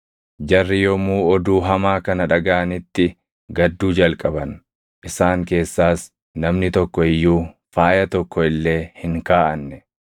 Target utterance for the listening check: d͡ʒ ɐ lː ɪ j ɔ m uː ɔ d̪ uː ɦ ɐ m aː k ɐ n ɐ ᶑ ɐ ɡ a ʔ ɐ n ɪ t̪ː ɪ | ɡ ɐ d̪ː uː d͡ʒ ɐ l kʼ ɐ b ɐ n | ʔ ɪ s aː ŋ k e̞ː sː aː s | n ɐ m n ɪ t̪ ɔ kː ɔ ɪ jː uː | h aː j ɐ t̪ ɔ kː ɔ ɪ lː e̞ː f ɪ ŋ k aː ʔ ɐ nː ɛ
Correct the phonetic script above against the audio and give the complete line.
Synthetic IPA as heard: d͡ʒ ɐ rː ɪ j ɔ m uː ɔ d̪ uː ɦ ɐ m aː k ɐ n ɐ ᶑ ɐ ɡ a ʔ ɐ n ɪ t̪ː ɪ | ɡ ɐ d̪ː uː d͡ʒ ɐ l kʼ ɐ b ɐ n | ʔ ɪ s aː ŋ k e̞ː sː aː s | n ɐ m n ɪ t̪ ɔ kː ɔ ɪ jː uː | f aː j ɐ t̪ ɔ kː ɔ ɪ lː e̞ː h ɪ ŋ k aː ʔ ɐ nː ɛ